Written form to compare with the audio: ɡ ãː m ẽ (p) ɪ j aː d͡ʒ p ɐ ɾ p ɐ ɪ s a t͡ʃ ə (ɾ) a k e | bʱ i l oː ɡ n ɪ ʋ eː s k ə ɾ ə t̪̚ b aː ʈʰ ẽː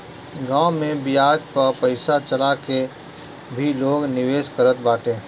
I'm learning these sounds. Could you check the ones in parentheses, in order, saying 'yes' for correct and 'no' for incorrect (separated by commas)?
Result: no, no